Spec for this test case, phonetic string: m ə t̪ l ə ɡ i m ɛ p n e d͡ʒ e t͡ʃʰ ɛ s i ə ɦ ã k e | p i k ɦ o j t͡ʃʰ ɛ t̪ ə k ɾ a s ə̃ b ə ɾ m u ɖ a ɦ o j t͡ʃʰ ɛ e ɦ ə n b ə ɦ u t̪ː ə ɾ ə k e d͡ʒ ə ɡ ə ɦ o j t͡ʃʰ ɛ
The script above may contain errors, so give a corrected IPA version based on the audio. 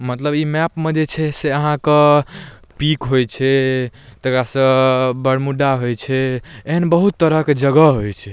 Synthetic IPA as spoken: m ə t̪ l ə b i m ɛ p m e d͡ʒ e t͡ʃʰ ɛ s e ə ɦ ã k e | p i k ɦ o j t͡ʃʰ ɛ t̪ ə k ɾ a s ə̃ b ə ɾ m u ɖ a ɦ o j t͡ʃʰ ɛ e ɦ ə n b ə ɦ u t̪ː ə ɾ ə k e d͡ʒ ə ɡ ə ɦ o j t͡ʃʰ ɛ